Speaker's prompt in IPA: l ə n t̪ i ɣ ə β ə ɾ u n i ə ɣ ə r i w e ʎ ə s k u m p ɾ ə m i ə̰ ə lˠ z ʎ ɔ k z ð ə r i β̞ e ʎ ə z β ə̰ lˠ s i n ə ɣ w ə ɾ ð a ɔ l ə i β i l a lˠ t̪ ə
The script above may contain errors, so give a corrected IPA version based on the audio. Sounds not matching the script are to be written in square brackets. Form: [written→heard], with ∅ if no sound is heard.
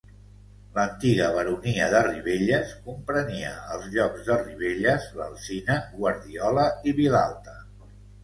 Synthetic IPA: l ə n t̪ i ɣ ə β ə ɾ u n i ə [ɣ→ð] ə r i [w→β] e ʎ ə s k u m p ɾ ə [m→n] i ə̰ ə lˠ z ʎ ɔ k z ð ə r i β̞ e ʎ ə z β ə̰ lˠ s i n ə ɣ w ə ɾ ð [a→i] ɔ l ə i β i l a lˠ t̪ ə